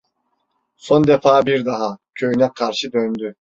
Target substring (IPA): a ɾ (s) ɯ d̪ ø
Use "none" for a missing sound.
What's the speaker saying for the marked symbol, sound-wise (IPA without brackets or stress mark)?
ʃ